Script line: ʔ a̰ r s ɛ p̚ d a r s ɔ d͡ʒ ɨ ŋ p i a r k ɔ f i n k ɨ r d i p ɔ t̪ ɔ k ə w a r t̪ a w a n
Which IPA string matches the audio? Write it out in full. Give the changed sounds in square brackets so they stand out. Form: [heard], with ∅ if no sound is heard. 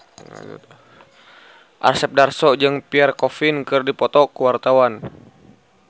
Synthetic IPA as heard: ʔ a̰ r s ɛ p̚ d a r s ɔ d͡ʒ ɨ ŋ p i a r k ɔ f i n k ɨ r d i p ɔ t̪ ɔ k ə w a r t̪ a w a n